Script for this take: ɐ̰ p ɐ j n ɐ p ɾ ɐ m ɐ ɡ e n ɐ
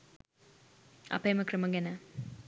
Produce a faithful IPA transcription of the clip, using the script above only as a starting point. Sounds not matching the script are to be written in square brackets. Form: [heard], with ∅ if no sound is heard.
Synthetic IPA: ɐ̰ p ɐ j [m] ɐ [k] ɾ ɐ m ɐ ɡ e n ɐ